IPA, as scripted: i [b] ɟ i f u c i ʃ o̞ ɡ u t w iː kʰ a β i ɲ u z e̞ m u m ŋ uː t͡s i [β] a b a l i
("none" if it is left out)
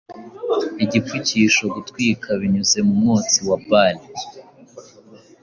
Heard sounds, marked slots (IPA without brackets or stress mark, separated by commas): none, w